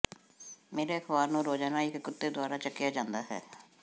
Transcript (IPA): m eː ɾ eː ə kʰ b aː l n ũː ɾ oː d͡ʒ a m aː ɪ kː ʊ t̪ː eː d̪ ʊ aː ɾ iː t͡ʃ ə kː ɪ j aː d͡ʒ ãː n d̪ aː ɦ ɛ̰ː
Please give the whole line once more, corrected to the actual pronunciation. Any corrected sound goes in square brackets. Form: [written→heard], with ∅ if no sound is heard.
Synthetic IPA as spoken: m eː ɾ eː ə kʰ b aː [l→ɾ] n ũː ɾ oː d͡ʒ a [m→n] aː ɪ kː ʊ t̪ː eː d̪ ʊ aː ɾ [iː→aː] t͡ʃ ə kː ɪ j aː d͡ʒ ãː n d̪ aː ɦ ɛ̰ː